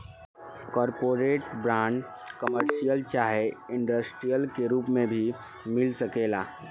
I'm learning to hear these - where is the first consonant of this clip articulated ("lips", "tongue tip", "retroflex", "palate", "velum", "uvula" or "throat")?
velum